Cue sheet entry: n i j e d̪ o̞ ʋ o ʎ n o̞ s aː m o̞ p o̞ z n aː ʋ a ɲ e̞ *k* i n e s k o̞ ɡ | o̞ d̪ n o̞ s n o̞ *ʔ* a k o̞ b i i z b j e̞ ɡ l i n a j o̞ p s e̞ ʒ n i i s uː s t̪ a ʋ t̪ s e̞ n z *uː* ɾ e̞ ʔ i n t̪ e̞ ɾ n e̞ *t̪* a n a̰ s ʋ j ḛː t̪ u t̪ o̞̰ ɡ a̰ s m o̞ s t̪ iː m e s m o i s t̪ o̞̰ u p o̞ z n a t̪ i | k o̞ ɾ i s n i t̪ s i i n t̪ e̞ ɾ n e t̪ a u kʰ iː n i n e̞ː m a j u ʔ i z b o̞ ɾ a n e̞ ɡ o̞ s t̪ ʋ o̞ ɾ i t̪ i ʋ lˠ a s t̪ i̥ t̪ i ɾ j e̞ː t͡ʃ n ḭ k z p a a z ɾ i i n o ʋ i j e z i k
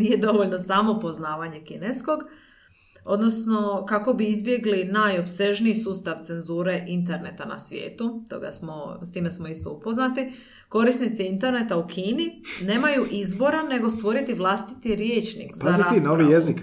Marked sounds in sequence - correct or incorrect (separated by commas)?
correct, incorrect, correct, correct